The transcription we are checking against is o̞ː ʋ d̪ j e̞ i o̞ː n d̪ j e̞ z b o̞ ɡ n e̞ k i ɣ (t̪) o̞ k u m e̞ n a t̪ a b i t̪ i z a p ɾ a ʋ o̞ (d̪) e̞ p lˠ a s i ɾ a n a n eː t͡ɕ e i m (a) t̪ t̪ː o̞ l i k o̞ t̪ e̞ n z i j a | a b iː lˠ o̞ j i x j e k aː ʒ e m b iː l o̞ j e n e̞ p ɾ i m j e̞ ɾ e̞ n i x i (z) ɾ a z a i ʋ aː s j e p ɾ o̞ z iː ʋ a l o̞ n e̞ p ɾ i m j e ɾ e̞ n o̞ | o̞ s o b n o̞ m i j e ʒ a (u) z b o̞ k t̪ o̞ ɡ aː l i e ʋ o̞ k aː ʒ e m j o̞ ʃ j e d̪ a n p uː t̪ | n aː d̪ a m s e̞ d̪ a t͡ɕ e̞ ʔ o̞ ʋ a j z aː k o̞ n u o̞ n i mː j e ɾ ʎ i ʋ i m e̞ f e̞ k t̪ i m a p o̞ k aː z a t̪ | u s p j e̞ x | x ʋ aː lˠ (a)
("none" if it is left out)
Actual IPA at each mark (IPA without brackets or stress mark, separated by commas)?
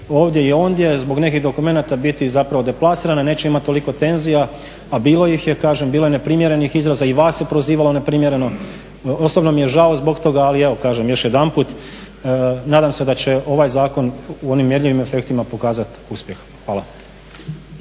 d̪, d̪, a, z, o, a